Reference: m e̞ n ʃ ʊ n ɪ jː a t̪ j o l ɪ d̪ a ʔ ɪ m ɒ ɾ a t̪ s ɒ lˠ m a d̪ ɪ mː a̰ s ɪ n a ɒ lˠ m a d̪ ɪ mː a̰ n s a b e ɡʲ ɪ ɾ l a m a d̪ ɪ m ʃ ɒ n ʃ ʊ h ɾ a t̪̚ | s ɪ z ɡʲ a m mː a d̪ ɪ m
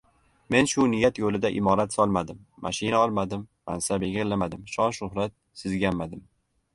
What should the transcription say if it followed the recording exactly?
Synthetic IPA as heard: m e̞ n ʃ ʊ n ɪ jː a t̪ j o l ɪ d̪ a ʔ ɪ m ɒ ɾ a t̪ s ɒ lˠ m a d̪ ɪ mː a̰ ʃ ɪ n a ɒ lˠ m a d̪ ɪ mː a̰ n s a b e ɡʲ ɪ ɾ l a m a d̪ ɪ m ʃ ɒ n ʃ ʊ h ɾ a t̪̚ | s ɪ z ɡʲ a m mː a d̪ ɪ m